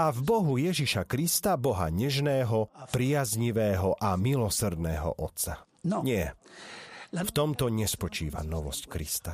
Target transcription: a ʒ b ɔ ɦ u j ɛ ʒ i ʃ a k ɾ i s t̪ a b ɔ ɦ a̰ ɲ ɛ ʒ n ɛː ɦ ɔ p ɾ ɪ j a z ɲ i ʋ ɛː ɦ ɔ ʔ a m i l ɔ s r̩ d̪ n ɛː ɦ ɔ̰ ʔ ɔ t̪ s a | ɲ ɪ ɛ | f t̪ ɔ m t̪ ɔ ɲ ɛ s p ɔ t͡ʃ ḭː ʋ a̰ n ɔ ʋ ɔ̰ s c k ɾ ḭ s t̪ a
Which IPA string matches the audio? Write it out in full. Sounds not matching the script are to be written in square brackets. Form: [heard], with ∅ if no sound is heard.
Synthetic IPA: a [v] b ɔ ɦ u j ɛ ʒ i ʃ a k ɾ i s t̪ a b ɔ ɦ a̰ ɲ ɛ ʒ n ɛː ɦ ɔ p ɾ ɪ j a z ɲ i ʋ ɛː ɦ ɔ ʔ a m i l ɔ s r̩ d̪ n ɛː ɦ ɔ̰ ʔ ɔ t̪ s a | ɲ ɪ ɛ | f t̪ ɔ m t̪ ɔ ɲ ɛ s p ɔ t͡ʃ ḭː ʋ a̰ n ɔ ʋ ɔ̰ s c k ɾ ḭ s t̪ a